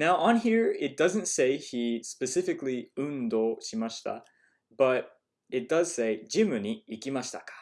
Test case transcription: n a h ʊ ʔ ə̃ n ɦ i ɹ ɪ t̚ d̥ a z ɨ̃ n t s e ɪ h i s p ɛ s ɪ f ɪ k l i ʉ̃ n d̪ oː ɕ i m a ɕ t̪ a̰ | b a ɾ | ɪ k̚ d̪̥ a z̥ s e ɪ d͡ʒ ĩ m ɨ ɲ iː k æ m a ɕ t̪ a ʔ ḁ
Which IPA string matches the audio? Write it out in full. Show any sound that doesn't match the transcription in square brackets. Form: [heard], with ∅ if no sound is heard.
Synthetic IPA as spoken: n a [∅] ʊ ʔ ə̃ n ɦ i ɹ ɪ t̚ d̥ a z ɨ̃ n t s e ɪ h i s p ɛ s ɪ f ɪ k l i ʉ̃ n d̪ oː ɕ i m a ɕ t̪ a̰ | b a ɾ | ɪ [t̚] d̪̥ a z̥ s e ɪ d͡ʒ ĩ m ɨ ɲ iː k [i] m a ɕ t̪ a [k] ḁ